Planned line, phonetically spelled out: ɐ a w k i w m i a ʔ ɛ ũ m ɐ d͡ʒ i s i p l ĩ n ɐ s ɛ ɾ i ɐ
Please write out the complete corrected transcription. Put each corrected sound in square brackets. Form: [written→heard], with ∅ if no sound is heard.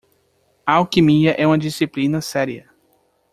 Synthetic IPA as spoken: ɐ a w k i [w→∅] m i [a→ɐ] ʔ ɛ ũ m ɐ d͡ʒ i s i p l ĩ n ɐ s ɛ ɾ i ɐ